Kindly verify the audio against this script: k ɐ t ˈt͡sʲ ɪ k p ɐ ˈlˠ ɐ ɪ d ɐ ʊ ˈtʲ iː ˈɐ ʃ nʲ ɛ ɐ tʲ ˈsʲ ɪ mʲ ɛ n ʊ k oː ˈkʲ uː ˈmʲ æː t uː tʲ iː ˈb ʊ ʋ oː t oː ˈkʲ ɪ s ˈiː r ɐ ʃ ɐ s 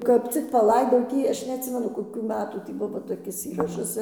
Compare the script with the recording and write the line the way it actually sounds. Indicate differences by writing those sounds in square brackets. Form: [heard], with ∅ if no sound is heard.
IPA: k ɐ [p] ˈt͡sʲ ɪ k p ɐ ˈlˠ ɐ ɪ d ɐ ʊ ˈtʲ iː ˈɐ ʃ nʲ ɛ ɐ tʲ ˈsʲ ɪ mʲ ɛ n ʊ k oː ˈkʲ uː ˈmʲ æː t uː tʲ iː ˈb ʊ ʋ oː t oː ˈkʲ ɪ s ˈiː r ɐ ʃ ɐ s